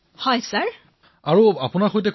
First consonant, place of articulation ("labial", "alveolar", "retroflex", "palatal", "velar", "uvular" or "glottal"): glottal